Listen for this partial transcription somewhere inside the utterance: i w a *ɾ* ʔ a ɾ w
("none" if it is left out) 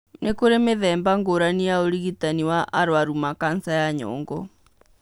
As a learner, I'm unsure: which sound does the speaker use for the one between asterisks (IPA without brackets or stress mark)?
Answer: none